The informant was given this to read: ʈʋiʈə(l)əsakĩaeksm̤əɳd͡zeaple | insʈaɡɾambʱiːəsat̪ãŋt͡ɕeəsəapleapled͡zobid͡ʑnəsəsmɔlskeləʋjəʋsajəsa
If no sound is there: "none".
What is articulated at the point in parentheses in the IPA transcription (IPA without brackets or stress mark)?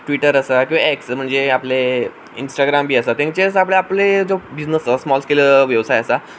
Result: ɾ